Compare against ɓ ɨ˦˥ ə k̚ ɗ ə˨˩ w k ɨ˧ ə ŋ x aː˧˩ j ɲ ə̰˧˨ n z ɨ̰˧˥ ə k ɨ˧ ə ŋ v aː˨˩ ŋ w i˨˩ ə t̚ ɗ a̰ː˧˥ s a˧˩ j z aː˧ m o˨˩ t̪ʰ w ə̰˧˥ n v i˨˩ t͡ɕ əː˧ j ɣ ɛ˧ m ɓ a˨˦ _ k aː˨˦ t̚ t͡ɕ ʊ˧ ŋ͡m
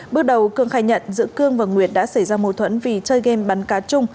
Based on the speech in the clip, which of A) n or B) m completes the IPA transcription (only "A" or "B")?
A